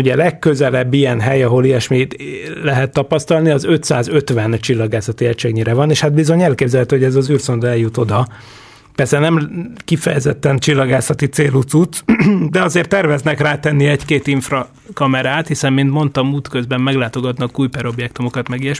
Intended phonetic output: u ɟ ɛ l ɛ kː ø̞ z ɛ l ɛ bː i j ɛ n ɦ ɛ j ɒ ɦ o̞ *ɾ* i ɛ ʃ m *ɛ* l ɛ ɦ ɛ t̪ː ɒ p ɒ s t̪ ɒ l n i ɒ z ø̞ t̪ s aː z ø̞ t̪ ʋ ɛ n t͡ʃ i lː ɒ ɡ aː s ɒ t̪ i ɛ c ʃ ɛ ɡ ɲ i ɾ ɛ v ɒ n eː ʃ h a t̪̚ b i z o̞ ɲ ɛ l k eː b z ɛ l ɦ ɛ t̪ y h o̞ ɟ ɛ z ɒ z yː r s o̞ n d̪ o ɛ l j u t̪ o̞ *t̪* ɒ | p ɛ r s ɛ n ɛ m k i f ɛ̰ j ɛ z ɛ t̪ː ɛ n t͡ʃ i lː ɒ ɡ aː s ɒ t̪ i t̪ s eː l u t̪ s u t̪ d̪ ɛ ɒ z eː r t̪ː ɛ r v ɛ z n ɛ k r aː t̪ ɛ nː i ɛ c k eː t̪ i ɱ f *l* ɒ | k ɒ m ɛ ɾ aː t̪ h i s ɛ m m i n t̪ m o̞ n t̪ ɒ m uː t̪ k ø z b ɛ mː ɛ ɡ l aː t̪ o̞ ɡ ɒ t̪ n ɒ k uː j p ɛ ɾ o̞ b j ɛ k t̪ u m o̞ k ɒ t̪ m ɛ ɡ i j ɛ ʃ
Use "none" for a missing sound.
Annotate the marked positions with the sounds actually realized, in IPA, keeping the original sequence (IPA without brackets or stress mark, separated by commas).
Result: l, i, d̪, r